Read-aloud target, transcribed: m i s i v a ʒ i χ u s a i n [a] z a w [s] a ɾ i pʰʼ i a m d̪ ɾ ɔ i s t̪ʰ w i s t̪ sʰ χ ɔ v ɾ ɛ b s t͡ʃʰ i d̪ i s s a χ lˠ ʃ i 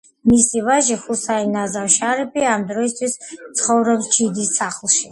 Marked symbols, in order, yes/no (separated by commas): yes, no